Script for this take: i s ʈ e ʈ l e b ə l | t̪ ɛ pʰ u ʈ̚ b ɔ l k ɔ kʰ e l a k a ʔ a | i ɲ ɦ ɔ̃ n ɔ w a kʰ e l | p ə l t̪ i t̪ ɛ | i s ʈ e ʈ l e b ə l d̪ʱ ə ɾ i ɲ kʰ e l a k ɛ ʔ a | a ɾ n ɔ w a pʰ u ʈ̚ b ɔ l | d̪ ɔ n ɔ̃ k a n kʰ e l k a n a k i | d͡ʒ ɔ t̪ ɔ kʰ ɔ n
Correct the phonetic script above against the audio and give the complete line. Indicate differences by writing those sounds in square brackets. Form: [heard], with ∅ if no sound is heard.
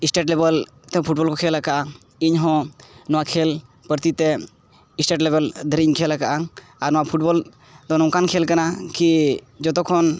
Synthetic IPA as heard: i s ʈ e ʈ l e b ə l | t̪ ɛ pʰ u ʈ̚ b ɔ l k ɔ kʰ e l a k a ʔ a | i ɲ ɦ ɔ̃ n ɔ w a kʰ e l | p ə [ɾ] t̪ i t̪ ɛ | i s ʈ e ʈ l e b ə l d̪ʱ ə ɾ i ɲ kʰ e l a k [a] ʔ a | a ɾ n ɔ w a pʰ u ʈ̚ b ɔ l | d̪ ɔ n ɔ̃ k a n kʰ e l k a n a k i | d͡ʒ ɔ t̪ ɔ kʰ ɔ n